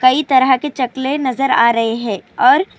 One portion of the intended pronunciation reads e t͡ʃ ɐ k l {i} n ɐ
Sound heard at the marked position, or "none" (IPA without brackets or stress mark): e